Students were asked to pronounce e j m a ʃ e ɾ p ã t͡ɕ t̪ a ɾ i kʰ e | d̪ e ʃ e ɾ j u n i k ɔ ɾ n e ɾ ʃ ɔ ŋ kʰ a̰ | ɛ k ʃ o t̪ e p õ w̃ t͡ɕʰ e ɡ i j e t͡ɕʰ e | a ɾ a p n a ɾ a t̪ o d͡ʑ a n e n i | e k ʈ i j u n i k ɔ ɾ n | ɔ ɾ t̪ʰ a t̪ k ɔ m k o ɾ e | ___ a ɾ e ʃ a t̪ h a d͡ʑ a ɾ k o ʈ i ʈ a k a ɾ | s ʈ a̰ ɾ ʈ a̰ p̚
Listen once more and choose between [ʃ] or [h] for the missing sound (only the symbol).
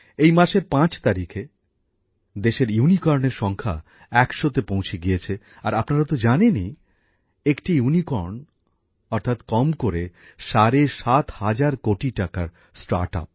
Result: ʃ